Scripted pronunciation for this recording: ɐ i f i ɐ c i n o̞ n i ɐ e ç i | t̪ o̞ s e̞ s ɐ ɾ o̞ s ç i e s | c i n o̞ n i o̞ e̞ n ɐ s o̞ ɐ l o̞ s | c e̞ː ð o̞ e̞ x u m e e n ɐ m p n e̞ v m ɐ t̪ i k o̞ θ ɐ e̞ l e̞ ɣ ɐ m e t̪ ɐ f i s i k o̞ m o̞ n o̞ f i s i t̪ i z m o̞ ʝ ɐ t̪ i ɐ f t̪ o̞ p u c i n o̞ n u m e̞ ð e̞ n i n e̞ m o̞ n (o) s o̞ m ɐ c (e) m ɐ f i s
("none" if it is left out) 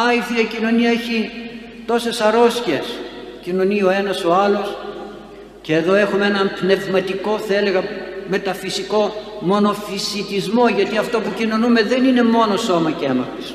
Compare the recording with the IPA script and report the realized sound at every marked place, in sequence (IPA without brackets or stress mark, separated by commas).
o, e